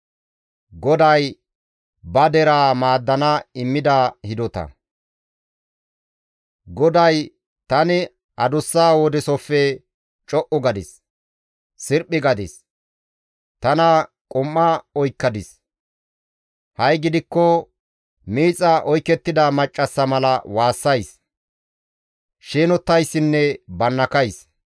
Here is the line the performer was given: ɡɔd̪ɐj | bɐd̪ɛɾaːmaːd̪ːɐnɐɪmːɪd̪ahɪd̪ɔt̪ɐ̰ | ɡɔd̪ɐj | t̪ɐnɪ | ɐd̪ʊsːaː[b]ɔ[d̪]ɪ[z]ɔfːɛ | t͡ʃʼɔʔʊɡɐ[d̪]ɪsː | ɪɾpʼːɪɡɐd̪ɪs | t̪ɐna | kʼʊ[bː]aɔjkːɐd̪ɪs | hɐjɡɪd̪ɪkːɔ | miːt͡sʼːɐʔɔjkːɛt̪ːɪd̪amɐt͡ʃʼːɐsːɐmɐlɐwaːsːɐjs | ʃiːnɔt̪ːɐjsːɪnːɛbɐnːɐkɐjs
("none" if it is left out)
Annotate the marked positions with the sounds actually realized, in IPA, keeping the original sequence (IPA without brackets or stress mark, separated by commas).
w, d̪, s, d̪, mː